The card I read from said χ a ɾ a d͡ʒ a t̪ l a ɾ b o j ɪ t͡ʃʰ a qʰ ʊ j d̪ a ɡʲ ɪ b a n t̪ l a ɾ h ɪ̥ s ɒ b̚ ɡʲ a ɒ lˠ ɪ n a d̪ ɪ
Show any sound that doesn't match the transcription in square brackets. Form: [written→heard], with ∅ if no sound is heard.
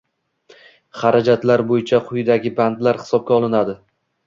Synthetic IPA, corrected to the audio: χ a ɾ a d͡ʒ a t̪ l a ɾ b o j ɪ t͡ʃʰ a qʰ ʊ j d̪ a ɡʲ ɪ b a n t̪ l a ɾ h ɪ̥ s ɒ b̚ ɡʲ a ɒ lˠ ɪ n a d̪ ɪ